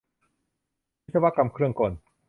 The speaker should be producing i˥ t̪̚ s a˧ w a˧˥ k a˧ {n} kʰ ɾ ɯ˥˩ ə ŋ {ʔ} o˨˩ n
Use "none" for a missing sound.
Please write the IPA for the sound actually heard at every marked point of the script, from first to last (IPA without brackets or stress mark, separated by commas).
m, k